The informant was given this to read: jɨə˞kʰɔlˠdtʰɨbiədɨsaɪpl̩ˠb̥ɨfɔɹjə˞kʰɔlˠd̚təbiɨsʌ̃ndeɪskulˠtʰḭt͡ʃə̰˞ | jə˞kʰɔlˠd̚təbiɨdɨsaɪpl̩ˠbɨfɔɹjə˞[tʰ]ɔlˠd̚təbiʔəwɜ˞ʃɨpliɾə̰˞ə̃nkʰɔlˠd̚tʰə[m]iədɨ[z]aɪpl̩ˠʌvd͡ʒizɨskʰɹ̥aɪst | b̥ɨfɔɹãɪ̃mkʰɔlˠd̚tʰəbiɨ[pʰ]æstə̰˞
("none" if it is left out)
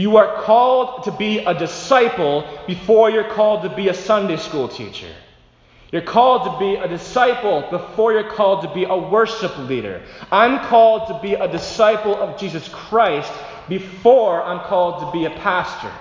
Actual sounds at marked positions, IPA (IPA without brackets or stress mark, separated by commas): kʰ, b, s, pʰ